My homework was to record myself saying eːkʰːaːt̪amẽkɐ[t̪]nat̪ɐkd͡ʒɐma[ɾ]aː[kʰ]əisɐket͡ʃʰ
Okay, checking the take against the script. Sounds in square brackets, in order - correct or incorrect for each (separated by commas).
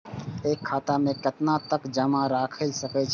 correct, correct, correct